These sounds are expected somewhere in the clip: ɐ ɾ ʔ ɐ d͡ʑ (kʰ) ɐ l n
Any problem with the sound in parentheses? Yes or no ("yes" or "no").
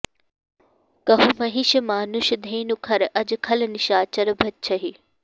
no